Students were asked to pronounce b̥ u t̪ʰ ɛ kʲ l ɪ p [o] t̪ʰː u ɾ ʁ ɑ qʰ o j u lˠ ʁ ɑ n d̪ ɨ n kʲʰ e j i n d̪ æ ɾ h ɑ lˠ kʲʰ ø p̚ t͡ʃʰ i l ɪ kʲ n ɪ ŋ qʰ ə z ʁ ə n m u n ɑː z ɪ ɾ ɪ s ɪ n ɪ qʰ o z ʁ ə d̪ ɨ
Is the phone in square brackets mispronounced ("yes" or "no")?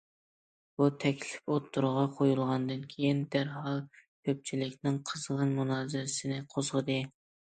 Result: no